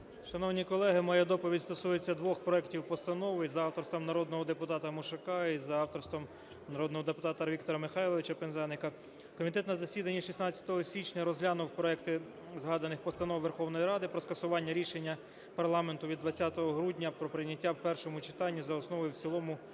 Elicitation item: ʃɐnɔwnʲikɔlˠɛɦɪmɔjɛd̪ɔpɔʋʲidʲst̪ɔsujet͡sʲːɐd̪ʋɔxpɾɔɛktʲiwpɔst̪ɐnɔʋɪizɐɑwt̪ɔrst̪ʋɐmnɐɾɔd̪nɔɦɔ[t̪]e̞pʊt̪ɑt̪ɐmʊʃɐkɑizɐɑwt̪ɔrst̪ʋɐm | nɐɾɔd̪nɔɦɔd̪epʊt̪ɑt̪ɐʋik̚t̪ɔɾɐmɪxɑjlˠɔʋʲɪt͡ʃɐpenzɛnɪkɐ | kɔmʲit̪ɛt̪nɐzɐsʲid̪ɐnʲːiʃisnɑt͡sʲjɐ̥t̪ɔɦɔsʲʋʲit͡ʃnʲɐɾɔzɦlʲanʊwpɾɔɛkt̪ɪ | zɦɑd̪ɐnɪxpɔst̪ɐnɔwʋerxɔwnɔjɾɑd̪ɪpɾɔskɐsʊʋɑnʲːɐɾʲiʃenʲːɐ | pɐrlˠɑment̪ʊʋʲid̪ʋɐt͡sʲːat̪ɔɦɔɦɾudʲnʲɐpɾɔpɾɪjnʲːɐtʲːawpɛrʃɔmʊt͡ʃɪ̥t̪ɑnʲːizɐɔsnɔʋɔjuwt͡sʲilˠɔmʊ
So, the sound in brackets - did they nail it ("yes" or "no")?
no